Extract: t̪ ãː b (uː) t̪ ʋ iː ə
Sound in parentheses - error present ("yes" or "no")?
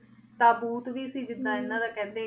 no